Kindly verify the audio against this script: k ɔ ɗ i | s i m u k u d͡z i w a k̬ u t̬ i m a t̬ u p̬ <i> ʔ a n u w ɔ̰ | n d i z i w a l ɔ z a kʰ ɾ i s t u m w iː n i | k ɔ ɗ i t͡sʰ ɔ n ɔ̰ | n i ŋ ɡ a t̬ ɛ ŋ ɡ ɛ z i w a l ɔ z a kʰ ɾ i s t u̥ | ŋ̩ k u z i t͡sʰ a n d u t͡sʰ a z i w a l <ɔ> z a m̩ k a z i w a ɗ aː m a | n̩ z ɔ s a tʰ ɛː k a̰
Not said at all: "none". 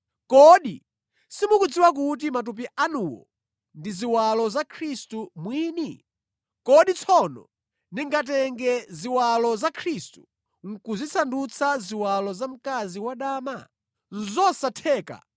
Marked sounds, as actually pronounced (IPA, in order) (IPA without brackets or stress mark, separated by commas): i, ɔ